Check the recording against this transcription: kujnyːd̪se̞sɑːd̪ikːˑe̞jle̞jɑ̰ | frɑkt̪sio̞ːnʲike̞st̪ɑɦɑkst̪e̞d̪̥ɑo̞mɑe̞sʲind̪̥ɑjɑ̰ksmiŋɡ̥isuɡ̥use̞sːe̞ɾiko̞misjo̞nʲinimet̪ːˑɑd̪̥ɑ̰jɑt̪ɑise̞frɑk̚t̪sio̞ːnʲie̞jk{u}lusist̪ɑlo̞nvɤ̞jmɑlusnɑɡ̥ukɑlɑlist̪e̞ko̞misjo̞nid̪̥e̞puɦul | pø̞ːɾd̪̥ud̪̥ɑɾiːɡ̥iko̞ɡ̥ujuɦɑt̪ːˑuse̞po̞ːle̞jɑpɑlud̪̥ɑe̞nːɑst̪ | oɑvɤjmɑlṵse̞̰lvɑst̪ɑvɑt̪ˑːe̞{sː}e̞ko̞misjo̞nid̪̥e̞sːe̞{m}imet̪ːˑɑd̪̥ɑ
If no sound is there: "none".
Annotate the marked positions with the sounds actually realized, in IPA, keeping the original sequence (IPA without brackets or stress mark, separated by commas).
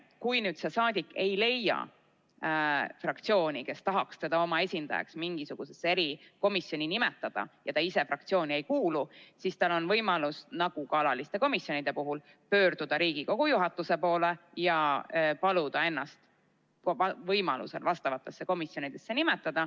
uː, sː, n